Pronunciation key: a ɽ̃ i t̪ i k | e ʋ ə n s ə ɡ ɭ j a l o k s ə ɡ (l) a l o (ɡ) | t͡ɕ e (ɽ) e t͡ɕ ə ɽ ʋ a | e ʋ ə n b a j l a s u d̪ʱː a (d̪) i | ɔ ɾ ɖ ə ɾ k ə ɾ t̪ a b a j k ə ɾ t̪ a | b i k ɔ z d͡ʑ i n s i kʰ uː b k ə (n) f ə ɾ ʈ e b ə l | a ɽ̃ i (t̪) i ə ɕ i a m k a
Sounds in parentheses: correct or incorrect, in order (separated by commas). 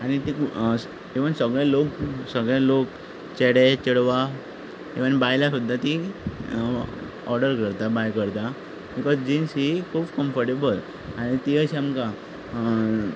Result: incorrect, incorrect, correct, incorrect, incorrect, correct